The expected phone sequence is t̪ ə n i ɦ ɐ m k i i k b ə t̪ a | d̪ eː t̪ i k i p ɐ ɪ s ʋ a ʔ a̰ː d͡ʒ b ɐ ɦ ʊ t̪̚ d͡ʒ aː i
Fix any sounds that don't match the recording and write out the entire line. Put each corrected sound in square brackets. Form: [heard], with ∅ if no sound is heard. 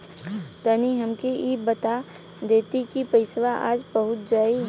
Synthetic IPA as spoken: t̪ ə n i ɦ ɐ m k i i [∅] b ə t̪ a | d̪ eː t̪ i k i p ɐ ɪ s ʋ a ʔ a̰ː d͡ʒ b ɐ ɦ ʊ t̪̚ d͡ʒ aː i